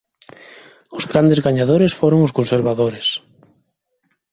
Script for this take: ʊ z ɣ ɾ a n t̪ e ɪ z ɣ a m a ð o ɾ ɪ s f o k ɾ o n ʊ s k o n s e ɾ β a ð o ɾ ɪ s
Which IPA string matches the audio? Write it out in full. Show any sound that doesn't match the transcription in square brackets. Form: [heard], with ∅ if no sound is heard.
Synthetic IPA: ʊ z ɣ ɾ a n [d̪] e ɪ z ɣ a [ɲ] a ð o ɾ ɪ s f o [∅] ɾ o [ŋ] ʊ s k o n s e ɾ β a ð o ɾ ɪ s